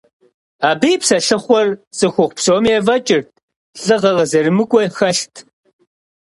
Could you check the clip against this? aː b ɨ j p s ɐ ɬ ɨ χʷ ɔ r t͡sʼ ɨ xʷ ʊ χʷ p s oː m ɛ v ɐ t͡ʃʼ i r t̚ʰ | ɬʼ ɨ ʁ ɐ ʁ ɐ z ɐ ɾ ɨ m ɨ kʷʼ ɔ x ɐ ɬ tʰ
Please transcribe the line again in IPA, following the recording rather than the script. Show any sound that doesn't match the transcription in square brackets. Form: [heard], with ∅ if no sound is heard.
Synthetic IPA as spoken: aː b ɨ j p s ɐ ɬ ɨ χʷ ɔ r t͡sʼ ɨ xʷ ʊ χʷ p s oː m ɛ v ɐ t͡ʃʼ [ɪ] r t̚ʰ | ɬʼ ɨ ʁ ɐ ʁ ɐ z ɐ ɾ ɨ m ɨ kʷʼ ɔ x ɐ ɬ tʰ